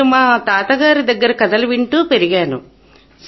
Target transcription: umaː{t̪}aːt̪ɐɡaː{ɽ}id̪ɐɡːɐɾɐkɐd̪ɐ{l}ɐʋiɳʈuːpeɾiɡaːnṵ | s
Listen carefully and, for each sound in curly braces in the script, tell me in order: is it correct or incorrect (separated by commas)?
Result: correct, incorrect, correct